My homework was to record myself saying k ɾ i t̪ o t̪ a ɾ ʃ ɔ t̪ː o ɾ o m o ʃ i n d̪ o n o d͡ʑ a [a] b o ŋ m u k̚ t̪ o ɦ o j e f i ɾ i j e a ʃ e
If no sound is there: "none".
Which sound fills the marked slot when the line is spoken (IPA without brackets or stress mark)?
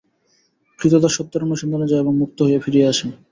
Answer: e